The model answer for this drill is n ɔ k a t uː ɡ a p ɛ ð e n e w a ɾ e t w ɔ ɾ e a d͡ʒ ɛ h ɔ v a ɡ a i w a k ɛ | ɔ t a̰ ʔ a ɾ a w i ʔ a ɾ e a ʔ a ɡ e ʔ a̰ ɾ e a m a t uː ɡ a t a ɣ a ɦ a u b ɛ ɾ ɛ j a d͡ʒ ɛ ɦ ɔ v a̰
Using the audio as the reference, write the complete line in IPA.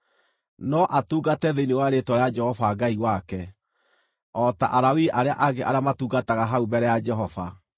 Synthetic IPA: n ɔ ʔ a t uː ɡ a t ɛ ð e n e w a ɾ e t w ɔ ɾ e a d͡ʒ ɛ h ɔ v a ɡ a i w a k ɛ | ɔ t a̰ ʔ a ɾ a w i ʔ a ɾ e a ʔ a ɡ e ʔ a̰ ɾ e a m a t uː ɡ a t a ɣ a ɦ a u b ɛ ɾ ɛ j a d͡ʒ ɛ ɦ ɔ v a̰

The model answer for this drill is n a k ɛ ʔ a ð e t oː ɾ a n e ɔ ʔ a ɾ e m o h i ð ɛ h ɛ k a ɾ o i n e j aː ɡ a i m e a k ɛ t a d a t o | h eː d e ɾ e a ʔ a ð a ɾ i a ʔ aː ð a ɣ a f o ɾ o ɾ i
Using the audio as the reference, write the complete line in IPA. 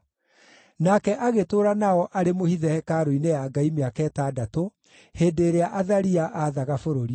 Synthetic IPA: n a k ɛ ʔ a ɣ e t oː ɾ a n a ɔ ʔ a ɾ e m o h i ð ɛ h ɛ k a ɾ o i n e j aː ɡ a i m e a k ɛ t a d a t o | h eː d e ɾ e a ʔ a ð a ɾ i a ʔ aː ð a ɣ a f o ɾ o ɾ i

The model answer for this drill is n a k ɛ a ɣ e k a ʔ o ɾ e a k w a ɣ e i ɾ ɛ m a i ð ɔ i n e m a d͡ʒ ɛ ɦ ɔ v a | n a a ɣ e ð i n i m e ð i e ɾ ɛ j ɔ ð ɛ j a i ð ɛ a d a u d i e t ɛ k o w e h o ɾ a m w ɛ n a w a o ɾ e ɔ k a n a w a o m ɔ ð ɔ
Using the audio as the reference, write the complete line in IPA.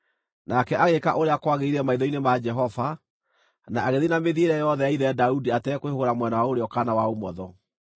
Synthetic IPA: n a k ɛ a ɣ e k a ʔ o ɾ e a k w a ɣ e i ɾ ɛ m a i ð ɔ i n e m a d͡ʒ ɛ ɦ ɔ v a | n a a ɣ e ð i n a m e ð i e ɾ ɛ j ɔ ð ɛ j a i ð ɛ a d a u d i a t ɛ k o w e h o ɾ a m w ɛ n a w a o ɾ e ɔ k a n a w a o m ɔ ð ɔ

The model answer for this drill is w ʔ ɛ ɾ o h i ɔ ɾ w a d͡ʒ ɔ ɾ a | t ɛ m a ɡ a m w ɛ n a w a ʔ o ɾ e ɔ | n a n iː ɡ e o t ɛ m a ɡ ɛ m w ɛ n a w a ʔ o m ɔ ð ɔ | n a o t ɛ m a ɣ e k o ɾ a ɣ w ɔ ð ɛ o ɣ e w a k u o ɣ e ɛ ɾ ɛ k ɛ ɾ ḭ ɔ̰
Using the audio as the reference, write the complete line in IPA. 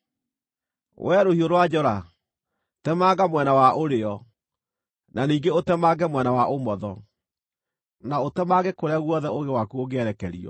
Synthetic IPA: w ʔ ɛ ɾ o h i o ɾ w a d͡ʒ ɔ ɾ a | t ɛ m a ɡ a m w ɛ n a w a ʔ o ɾ e ɔ | n a n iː ɡ e o t ɛ m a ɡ ɛ m w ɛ n a w a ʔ o m ɔ ð ɔ | n a o t ɛ m a ɣ e k o ɾ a ɣ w ɔ ð ɛ o ɣ e w a k u o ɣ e ɛ ɾ ɛ k ɛ ɾ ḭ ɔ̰

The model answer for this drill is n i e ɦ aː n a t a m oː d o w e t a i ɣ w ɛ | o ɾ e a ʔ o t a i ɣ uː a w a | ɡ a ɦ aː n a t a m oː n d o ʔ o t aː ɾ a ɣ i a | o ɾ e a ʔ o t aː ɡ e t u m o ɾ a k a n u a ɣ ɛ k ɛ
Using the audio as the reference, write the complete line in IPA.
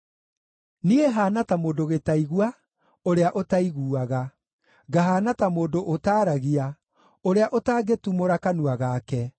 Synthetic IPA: n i e ɦ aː n a t a m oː d o ɣ e t a i ɣ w a | o ɾ e a ʔ o t a i ɣ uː a ɣ a | ɡ a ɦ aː n a t a m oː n d o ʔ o t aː ɾ a ɣ i a | o ɾ e a ʔ o t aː ɡ e t u m o ɾ a k a n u a ɣ a k ɛ

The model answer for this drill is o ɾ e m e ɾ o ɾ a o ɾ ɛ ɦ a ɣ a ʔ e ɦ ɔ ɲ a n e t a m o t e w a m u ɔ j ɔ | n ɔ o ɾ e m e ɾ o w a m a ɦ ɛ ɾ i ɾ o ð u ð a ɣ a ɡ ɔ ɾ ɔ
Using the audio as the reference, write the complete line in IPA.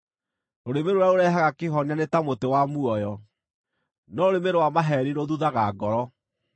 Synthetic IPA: o ɾ e m e ɾ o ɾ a o ɾ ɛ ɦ a ɣ a k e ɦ ɔ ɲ a n e t a m o t e w a m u ɔ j ɔ | n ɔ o ɾ e m e ɾ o w a m a ɦ ɛ ɾ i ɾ o ð u ð a ɣ a ɡ ɔ ɾ ɔ

